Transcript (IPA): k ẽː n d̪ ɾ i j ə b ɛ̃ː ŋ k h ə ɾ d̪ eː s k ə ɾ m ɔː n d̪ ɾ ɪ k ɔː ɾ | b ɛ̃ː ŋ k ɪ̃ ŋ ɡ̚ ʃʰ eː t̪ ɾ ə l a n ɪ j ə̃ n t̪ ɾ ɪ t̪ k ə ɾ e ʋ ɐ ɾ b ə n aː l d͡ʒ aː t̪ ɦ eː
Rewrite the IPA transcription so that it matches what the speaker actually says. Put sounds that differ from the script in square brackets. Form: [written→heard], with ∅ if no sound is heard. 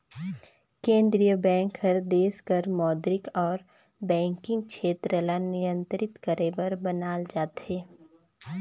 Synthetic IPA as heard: k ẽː n d̪ ɾ i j ə b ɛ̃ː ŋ k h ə ɾ d̪ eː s k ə ɾ m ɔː [n→∅] d̪ ɾ ɪ k ɔː ɾ | b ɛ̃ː ŋ k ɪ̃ ŋ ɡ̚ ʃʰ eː t̪ ɾ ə l a n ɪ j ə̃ n t̪ ɾ ɪ t̪ k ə ɾ e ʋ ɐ ɾ b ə n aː l d͡ʒ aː t̪ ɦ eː